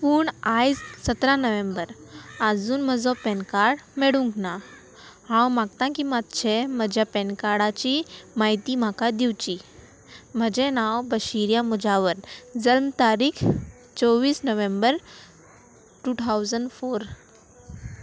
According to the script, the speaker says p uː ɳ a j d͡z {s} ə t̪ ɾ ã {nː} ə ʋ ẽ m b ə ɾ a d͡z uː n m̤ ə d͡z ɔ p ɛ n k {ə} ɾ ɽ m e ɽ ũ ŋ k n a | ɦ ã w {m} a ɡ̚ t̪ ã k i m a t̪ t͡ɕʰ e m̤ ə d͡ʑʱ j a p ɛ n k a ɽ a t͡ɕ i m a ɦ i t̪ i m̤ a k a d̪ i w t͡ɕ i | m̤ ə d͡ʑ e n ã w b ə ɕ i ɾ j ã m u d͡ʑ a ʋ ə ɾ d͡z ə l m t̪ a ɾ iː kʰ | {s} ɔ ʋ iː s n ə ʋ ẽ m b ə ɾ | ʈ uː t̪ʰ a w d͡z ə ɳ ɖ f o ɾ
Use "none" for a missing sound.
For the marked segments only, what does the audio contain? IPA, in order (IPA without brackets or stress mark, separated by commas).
s, n, a, m, t͡s